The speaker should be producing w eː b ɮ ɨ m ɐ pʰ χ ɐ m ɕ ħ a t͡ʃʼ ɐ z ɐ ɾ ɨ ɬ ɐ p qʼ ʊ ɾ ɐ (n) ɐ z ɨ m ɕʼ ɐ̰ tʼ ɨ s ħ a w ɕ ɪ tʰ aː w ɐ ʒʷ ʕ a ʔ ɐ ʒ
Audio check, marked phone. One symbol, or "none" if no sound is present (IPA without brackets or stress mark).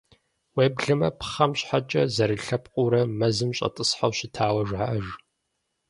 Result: m